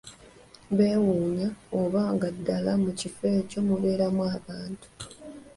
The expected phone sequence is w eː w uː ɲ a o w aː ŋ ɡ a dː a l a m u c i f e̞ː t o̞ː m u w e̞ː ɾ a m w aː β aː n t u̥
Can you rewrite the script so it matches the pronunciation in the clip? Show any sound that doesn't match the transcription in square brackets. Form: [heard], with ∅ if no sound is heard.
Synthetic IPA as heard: [β] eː w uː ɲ a o [β] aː ŋ ɡ a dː a l a m u c i f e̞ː [c] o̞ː m u [β] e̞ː ɾ a m w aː β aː n t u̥